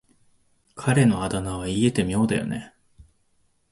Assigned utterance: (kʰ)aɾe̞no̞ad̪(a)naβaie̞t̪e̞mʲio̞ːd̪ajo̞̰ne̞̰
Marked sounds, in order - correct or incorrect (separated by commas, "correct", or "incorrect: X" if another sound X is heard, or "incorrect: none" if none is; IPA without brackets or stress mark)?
correct, correct